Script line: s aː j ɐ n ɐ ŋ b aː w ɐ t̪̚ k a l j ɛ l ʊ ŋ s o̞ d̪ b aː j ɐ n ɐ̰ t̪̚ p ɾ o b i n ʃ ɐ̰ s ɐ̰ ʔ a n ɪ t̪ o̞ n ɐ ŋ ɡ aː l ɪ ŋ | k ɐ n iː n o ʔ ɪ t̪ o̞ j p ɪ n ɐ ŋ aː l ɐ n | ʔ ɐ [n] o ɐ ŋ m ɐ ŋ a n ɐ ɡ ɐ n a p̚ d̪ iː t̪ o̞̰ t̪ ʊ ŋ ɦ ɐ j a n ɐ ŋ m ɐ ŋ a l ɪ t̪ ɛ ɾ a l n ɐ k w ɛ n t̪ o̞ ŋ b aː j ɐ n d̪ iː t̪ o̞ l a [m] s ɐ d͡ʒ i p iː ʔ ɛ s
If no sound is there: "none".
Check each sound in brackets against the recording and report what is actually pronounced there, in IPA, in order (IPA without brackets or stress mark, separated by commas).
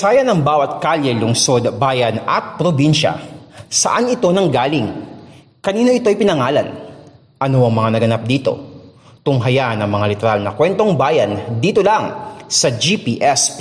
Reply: n, ŋ